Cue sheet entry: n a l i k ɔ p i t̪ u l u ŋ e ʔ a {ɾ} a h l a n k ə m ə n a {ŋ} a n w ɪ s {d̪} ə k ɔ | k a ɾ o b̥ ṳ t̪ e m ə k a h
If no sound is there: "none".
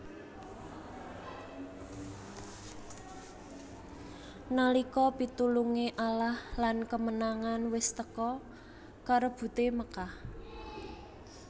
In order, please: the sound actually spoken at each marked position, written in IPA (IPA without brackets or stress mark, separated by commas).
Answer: l, ŋ, t̪